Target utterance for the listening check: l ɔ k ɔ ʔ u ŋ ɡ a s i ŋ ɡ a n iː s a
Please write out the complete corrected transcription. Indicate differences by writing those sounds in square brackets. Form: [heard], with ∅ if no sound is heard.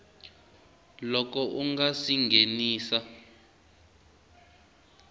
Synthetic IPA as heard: l ɔ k ɔ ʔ u ŋ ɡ a s i ŋ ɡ [e] n iː s a

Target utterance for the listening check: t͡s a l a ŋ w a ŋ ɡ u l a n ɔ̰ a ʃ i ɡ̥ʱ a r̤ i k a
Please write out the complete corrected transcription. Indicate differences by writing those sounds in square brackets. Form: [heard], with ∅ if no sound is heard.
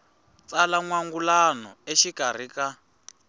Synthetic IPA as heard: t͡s a l a ŋ w a ŋ ɡ u l a n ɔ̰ [e] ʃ i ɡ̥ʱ a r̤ i k a

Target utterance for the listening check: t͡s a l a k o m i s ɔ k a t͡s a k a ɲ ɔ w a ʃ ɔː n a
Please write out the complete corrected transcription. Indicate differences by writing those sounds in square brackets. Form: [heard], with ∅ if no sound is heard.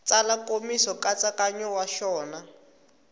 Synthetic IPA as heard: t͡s a l a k o m i s ɔ k a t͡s a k a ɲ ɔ w a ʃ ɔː n a

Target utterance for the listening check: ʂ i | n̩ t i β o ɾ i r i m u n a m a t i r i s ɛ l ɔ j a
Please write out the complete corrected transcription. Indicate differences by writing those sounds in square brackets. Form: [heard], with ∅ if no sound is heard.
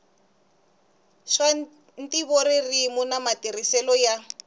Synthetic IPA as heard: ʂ [a] | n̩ t i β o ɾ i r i m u n a m a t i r i s ɛ l ɔ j a

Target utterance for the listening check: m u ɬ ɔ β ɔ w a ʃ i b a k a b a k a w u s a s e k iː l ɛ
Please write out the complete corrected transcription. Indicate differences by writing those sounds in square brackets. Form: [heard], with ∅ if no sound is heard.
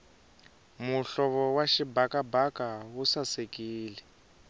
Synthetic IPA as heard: m u ɬ ɔ β ɔ w a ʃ i b a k a b a k a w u s a s e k iː l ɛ

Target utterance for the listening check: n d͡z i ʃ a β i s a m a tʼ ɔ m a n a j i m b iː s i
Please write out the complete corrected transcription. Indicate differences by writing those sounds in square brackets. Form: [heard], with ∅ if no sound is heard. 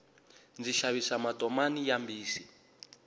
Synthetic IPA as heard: n d͡z i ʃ a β i s a m a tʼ ɔ m a n [i] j [a] m b iː s i

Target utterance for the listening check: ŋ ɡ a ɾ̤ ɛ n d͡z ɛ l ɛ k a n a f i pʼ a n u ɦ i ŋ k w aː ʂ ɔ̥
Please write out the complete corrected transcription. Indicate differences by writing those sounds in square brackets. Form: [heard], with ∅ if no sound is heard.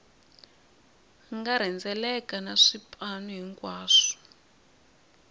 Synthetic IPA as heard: ŋ ɡ a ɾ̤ ɛ n d͡z ɛ l ɛ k a n a [ʂ] i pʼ a n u ɦ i ŋ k w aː ʂ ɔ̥

